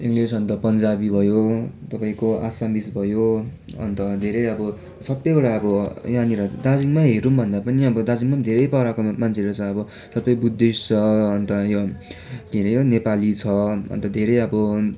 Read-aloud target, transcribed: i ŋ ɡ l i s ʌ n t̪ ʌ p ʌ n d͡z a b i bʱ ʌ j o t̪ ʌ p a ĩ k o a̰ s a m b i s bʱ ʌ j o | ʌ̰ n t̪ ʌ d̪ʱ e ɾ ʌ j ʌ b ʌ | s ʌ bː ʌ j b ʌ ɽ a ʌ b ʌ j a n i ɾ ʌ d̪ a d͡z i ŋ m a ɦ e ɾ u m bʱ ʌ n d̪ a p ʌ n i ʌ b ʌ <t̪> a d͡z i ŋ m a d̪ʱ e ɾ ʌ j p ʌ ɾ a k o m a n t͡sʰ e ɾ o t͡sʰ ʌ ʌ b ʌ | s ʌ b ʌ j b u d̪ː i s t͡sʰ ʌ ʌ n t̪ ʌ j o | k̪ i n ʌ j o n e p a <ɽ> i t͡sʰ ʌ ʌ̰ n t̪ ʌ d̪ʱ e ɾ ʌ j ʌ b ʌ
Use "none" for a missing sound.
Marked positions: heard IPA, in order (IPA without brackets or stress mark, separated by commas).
d̪, l